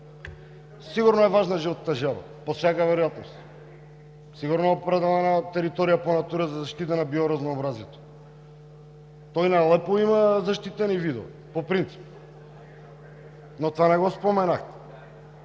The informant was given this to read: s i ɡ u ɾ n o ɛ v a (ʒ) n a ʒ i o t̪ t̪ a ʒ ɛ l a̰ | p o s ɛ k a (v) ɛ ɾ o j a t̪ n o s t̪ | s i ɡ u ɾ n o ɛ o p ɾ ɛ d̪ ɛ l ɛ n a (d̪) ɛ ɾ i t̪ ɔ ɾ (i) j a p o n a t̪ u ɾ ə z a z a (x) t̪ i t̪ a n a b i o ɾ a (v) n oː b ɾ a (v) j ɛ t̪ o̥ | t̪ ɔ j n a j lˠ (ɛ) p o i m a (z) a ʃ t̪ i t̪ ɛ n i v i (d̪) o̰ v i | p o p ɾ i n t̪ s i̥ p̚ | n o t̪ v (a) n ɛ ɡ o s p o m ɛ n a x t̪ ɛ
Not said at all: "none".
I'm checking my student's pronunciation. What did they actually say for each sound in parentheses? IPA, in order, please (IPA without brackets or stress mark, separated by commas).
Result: ʒ, v, t̪, i, ʃ, z, z, ɛ, z, d̪, a